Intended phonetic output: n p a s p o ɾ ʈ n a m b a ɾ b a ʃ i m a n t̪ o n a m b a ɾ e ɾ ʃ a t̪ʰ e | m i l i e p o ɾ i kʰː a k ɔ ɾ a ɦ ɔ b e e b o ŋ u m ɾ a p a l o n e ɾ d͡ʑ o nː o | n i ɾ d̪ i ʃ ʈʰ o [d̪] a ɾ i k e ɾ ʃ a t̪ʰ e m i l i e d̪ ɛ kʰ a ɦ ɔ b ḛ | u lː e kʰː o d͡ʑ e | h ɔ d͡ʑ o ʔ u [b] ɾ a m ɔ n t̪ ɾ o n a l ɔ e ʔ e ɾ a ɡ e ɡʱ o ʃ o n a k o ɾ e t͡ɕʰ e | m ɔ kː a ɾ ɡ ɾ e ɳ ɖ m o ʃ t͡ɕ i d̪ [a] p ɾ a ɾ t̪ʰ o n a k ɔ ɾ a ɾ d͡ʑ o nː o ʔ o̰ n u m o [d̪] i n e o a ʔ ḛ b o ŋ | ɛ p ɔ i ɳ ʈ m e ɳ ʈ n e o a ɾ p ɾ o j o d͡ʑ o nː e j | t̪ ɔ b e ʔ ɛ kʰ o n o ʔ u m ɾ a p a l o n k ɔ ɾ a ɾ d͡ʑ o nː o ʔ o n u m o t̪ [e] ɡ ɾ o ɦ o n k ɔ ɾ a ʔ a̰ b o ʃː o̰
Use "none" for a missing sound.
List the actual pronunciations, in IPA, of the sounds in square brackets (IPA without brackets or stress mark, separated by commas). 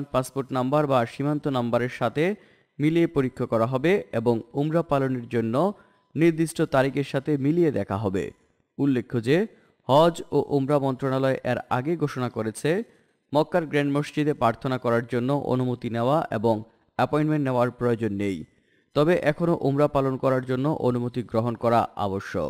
t̪, m, e, t̪, i